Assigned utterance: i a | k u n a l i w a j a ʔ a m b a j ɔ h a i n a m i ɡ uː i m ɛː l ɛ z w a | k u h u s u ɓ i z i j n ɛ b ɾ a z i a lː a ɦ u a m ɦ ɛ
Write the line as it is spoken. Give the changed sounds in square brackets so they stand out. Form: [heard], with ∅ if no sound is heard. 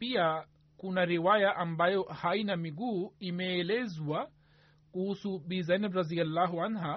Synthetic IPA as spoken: i a | k u n a [ɾ] i w a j a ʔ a m b a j ɔ h a i n a m i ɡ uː i m ɛː l ɛ z w a | k u h u s u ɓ i z [a] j n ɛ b ɾ a z i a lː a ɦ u a [n] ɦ [a]